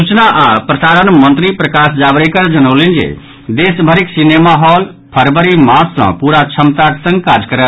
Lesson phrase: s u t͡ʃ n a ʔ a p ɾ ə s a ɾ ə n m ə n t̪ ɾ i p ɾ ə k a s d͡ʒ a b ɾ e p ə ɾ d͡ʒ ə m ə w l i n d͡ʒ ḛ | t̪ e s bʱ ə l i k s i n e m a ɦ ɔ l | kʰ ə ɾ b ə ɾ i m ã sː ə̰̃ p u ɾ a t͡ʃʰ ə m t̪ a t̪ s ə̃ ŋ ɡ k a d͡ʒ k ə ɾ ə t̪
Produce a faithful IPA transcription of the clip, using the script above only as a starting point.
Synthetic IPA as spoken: s u t͡ʃ n a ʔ a p ɾ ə s a ɾ ə n m ə n t̪ ɾ i p ɾ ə k a s d͡ʒ a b ɾ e k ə ɾ d͡ʒ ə n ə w l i n d͡ʒ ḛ | d̪ e s bʱ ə ɾ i k s i n e m a ɦ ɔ l | pʰ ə ɾ b ə ɾ i m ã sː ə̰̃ p u ɾ a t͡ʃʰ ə m t̪ a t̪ s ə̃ ŋ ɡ k a d͡ʒ k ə ɾ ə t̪